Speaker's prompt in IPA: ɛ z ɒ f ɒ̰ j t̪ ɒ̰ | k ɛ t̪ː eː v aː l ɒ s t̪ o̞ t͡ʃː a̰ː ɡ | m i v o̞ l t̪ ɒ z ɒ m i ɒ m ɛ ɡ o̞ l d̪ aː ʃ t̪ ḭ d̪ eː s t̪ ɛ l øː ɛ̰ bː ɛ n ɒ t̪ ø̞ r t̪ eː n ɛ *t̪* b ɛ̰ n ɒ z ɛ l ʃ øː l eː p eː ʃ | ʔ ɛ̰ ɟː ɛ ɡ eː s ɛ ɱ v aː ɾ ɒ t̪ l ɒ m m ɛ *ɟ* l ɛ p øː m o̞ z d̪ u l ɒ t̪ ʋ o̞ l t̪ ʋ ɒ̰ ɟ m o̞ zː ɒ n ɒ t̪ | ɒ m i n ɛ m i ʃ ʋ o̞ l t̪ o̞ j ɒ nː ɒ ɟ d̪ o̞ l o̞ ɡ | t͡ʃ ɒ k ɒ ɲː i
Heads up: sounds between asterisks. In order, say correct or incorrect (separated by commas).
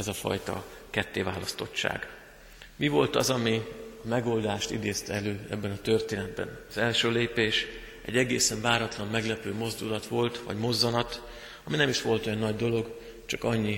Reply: incorrect, incorrect